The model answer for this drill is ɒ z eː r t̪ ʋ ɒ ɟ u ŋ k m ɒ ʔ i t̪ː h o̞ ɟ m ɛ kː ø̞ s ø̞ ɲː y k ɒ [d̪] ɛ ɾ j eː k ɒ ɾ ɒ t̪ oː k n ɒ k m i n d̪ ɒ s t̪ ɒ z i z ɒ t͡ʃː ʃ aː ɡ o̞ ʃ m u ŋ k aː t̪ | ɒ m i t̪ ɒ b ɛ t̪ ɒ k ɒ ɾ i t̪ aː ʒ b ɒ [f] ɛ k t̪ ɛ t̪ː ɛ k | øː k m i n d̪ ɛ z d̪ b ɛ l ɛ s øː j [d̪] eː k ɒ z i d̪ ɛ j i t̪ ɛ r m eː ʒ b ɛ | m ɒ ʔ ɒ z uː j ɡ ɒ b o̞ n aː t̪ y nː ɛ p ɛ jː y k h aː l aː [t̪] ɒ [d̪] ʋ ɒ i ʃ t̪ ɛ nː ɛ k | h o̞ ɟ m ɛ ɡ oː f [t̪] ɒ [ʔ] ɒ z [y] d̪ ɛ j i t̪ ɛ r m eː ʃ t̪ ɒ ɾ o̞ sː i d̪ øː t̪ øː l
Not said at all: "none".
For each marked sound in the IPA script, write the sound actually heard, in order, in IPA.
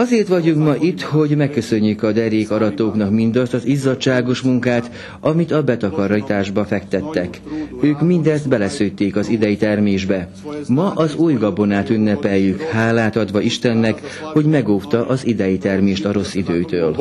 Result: d̪, f, t̪, t̪, d̪, t̪, ʔ, i

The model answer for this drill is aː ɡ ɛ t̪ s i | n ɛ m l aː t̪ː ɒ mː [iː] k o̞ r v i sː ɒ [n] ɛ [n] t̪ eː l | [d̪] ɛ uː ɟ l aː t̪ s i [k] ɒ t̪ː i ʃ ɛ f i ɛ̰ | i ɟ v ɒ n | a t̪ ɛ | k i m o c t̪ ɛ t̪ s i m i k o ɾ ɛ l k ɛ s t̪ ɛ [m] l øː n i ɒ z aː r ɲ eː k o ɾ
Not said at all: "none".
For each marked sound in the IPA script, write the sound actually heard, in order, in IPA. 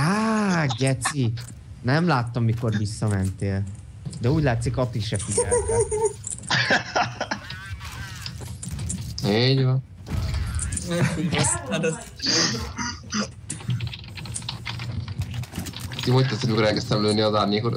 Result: i, m, n, d̪, k, m

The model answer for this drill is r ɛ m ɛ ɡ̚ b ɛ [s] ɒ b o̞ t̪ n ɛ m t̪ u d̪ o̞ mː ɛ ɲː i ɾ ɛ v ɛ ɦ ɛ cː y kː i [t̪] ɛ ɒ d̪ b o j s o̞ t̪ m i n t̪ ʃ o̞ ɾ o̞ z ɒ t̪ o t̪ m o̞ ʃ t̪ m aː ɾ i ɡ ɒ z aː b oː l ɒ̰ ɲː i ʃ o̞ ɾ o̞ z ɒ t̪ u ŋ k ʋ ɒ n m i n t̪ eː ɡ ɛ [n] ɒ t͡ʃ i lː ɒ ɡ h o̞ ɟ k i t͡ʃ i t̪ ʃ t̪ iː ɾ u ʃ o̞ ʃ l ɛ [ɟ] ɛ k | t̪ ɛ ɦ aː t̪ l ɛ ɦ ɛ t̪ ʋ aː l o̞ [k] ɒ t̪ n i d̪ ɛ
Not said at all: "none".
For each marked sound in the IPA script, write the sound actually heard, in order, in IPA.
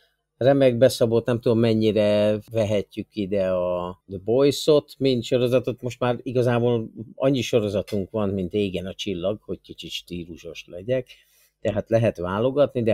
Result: s, d̪, n, ɟ, ɡ

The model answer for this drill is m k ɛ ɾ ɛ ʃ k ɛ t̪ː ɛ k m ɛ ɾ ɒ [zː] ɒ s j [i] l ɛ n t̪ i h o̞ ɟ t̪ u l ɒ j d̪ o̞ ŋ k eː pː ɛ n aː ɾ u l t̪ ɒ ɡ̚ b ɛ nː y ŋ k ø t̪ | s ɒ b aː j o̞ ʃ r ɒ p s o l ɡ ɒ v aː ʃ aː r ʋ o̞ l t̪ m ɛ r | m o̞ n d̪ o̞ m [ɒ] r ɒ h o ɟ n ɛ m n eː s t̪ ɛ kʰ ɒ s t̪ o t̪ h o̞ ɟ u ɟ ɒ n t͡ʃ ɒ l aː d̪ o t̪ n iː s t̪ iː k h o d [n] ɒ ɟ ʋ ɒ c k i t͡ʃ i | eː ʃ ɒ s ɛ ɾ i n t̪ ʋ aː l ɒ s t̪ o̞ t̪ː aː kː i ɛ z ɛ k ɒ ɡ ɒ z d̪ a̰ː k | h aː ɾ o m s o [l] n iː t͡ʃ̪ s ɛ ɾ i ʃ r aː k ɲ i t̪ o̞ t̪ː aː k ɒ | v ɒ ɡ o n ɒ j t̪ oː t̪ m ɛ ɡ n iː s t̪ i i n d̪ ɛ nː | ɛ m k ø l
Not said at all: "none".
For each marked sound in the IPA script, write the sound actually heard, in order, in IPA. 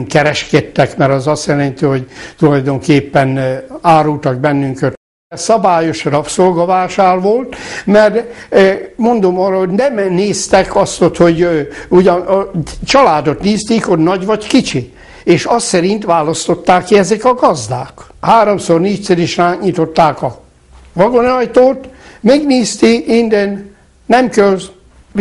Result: z, ɛ, ɒː, n, r

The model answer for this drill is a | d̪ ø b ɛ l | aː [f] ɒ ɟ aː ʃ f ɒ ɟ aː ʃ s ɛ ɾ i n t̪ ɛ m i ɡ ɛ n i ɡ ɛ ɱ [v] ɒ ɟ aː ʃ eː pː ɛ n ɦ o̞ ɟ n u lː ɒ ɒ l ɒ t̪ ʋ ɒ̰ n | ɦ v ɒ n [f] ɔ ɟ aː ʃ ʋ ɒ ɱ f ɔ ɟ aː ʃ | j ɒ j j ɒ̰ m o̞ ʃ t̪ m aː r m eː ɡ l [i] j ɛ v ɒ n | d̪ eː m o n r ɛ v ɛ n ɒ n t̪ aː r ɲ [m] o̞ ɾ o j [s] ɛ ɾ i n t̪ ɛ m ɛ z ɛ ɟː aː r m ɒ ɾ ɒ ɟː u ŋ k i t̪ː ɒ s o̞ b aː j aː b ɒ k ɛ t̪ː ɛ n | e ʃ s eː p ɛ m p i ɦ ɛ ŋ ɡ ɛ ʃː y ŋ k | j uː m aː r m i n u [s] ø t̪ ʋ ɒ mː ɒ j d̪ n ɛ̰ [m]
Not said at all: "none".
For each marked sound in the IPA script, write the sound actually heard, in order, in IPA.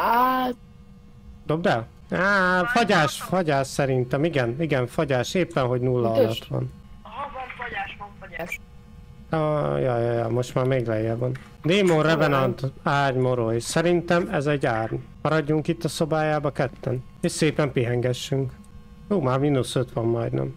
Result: f, f, f, ɛ, m, s, s, m

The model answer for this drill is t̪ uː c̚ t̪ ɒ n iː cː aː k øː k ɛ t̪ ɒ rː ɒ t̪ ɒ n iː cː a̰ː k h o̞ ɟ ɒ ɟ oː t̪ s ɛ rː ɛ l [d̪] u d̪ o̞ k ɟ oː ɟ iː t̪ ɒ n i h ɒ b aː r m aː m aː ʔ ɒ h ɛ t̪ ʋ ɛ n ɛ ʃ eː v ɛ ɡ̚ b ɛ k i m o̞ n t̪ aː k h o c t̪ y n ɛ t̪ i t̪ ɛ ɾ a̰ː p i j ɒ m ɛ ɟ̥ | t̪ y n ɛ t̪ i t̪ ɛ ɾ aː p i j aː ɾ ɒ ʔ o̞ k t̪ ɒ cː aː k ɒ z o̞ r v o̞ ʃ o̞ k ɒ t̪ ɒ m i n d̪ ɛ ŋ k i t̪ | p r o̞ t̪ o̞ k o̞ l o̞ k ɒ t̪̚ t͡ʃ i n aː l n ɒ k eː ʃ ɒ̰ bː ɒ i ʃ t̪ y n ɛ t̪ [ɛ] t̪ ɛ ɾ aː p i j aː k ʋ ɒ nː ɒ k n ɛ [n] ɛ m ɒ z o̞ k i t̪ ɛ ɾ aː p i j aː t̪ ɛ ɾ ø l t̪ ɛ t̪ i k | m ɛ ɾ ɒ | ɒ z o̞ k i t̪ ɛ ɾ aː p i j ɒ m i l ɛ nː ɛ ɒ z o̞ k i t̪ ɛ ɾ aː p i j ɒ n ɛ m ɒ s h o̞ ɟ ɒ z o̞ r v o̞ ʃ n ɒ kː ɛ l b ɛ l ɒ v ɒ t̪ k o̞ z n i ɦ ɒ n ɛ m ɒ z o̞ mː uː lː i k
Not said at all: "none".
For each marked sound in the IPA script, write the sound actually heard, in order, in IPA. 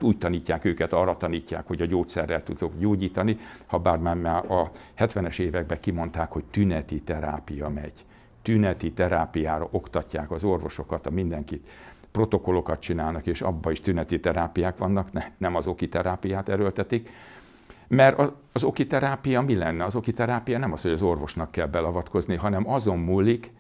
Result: t̪, i, n

